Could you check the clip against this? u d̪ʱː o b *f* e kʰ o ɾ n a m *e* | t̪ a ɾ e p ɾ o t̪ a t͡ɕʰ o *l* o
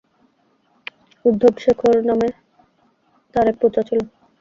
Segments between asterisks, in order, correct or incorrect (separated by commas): incorrect, correct, correct